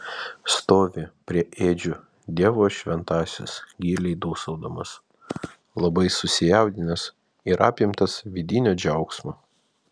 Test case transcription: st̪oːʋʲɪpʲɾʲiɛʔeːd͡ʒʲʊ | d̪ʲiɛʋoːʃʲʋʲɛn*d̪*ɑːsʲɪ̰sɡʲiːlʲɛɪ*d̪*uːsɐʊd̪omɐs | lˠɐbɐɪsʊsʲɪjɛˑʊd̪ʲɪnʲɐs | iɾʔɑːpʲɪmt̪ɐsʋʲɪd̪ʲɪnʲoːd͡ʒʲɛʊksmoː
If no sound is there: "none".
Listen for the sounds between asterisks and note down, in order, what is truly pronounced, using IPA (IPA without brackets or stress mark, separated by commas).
t̪, d̪